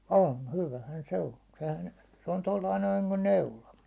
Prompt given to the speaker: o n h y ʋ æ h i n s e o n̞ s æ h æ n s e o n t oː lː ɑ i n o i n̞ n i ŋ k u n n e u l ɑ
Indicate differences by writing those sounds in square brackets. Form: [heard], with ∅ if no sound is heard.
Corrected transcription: o n h y ʋ æ h [æ] n s e o n̞ s [e] h æ n s e o n t [o] lː ɑ i n o i n̞ n i ŋ k u n n e u l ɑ

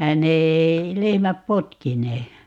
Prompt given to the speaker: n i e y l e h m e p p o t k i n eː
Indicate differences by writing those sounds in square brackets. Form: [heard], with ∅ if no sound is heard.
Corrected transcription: n [e] e [i] l e h m [æ] p p o t k i n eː

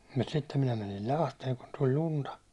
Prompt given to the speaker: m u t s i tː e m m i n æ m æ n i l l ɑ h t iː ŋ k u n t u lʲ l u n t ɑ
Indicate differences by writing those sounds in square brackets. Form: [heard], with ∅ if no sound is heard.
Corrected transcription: m u t s i tː e m m i n æ m æ n i l l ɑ h t [eː] ŋ k u n t u lʲ l u n t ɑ

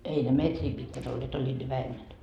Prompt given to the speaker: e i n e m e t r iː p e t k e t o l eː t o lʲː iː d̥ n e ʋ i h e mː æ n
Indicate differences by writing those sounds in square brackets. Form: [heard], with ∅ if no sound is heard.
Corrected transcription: e i n e m e t r iː p [i] t k [æ] t o [lː] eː t o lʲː iː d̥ n e ʋ [æ] h e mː æ n

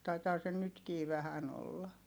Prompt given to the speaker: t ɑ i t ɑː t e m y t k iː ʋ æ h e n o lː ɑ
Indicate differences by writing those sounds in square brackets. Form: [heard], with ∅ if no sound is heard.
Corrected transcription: t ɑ i t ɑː [s] e [n] y t k iː ʋ æ h [æ] n o lː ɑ

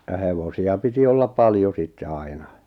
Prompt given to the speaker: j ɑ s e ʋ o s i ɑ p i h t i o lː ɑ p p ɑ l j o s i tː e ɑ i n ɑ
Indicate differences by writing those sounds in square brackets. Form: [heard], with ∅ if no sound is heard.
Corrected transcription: j ɑ [h] e ʋ o s i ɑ p i [∅] t i o lː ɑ p p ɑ l j o s i tː e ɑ i n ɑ

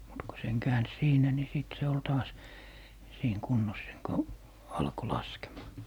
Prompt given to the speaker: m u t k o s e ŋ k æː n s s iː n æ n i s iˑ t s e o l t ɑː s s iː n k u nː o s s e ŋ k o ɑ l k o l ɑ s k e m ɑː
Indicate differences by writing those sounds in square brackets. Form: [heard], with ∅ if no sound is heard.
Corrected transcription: m u t k o s e ŋ k æː n s s iː n æ n i s iˑ t s e o l t ɑː s s iː [ŋ] k u nː o s s e ŋ k o ɑ l k o l ɑ s k e m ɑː

